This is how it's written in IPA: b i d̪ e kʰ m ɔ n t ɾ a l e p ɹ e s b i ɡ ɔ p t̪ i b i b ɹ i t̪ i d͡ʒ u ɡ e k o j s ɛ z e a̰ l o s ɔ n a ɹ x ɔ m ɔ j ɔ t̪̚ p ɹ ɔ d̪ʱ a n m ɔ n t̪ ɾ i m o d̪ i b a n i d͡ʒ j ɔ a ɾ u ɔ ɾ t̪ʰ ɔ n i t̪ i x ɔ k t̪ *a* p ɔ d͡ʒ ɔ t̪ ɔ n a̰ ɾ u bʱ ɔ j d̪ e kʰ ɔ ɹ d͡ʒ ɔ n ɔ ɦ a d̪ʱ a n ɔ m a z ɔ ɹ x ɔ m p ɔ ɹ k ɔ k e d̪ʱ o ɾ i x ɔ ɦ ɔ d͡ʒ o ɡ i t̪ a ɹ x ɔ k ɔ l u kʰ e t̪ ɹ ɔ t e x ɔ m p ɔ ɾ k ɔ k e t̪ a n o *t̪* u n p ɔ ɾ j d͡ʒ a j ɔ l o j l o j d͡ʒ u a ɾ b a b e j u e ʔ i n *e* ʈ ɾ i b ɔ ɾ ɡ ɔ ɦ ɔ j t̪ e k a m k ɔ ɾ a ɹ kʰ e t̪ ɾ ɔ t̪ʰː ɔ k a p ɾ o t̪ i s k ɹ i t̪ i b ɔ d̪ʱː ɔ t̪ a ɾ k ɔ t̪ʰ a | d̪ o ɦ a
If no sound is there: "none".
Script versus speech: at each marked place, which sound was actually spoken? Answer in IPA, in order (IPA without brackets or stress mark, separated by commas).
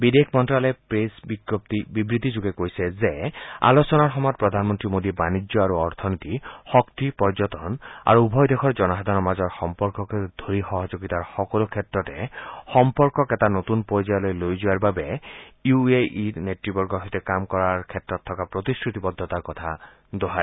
i, t̪, e